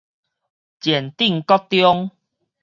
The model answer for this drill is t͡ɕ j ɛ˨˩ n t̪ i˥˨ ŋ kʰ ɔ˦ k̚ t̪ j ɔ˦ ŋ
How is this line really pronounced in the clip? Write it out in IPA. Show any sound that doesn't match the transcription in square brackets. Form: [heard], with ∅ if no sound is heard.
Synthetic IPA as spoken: t͡ɕ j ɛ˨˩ n t̪ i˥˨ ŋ [k] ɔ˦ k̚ t̪ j ɔ˦ ŋ